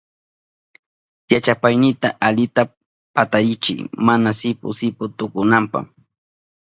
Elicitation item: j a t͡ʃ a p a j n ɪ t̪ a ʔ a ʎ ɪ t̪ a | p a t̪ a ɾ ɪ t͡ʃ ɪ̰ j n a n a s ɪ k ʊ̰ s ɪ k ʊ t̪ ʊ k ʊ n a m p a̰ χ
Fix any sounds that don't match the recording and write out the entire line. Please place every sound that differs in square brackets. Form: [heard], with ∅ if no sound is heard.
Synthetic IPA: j a t͡ʃ a p a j n ɪ t̪ a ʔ a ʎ ɪ t̪ a | p a t̪ a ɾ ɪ t͡ʃ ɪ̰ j [m] a n a s ɪ [p] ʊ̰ s ɪ [p] ʊ t̪ ʊ k ʊ n a m p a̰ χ